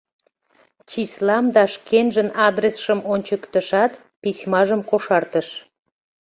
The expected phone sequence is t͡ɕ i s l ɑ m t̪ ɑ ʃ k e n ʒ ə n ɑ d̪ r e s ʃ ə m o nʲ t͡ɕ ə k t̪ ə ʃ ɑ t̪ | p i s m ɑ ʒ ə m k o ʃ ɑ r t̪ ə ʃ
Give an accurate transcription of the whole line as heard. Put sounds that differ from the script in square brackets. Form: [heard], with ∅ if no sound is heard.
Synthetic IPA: t͡ɕ i s l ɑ m [d̪] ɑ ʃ k e n ʒ ə n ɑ d̪ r e s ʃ ə m o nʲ t͡ɕ ə k t̪ ə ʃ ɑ t̪ | p i s m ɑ ʒ ə m k o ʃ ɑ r t̪ ə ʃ